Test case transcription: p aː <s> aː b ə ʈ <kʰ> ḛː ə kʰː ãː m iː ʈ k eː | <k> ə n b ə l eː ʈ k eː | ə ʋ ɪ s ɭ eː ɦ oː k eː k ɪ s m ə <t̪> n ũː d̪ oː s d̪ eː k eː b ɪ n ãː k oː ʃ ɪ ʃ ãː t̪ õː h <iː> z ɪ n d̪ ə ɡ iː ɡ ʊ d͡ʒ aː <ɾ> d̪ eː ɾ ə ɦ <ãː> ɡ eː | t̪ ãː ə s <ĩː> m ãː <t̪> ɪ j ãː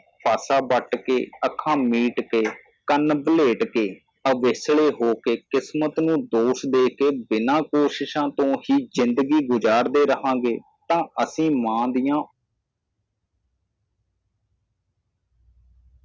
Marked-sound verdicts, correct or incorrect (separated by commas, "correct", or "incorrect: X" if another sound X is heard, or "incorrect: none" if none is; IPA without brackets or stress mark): correct, incorrect: k, correct, correct, correct, correct, correct, correct, incorrect: d̪